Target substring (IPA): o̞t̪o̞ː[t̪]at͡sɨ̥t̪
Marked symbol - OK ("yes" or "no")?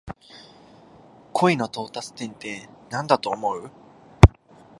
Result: yes